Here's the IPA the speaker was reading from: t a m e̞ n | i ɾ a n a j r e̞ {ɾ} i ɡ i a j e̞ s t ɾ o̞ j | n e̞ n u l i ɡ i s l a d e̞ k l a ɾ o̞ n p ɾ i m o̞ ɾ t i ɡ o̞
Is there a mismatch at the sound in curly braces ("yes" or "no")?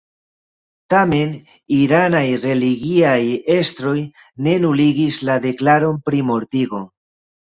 yes